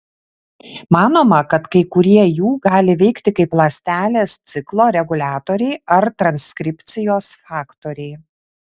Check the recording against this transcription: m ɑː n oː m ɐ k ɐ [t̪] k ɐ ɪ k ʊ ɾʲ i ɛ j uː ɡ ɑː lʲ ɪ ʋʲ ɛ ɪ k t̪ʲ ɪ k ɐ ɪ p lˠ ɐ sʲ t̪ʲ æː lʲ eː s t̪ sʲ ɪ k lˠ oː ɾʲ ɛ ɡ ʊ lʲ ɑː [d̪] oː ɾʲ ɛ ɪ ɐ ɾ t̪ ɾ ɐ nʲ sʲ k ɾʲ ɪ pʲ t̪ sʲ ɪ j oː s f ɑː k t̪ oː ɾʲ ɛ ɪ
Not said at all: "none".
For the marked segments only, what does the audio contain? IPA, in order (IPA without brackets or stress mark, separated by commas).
t̪, t̪